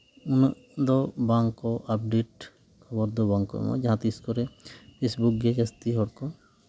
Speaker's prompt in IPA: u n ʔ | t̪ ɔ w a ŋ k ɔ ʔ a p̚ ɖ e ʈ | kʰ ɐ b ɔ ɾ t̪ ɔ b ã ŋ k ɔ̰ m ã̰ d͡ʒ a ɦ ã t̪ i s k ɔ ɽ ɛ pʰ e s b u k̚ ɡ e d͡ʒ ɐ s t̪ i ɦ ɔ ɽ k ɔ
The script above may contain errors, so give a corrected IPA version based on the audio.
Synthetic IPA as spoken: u n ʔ | d̪ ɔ b a ŋ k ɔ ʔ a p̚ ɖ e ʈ | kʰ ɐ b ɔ ɾ d̪ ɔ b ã ŋ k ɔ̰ m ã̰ d͡ʒ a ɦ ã t̪ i s k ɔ ɾ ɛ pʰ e s b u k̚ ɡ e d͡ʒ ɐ s t̪ i ɦ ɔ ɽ k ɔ